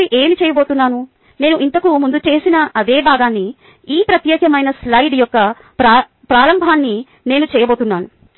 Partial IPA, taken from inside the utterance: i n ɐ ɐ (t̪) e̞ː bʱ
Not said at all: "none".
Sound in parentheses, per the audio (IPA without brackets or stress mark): d̪